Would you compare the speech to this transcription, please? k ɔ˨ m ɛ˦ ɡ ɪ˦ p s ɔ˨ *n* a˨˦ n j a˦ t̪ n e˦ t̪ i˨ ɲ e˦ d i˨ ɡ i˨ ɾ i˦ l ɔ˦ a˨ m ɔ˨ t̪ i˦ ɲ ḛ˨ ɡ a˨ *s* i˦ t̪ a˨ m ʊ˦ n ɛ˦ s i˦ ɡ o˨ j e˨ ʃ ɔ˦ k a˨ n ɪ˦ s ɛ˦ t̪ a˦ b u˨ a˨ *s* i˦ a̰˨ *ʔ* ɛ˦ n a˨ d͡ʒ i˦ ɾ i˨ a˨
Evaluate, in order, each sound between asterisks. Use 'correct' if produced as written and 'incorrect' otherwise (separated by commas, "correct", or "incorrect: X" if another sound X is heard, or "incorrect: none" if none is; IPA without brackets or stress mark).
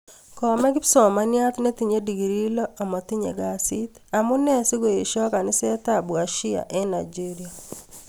incorrect: m, correct, incorrect: ʃ, correct